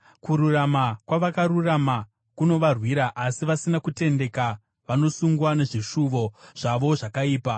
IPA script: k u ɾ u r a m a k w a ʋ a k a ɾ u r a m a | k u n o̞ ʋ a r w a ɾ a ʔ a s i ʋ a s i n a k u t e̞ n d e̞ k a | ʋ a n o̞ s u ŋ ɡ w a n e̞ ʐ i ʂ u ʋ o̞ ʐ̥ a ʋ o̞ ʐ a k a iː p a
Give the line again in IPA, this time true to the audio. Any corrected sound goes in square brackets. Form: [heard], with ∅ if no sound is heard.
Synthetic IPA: k u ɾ u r a m a k w a ʋ a k a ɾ u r a m a | k u n o̞ ʋ a r w [i] ɾ a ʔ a s i ʋ a s i n a k u t e̞ n d e̞ k a | ʋ a n o̞ s u ŋ ɡ w a n e̞ ʐ i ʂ u ʋ o̞ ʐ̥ a ʋ o̞ ʐ a k a iː p a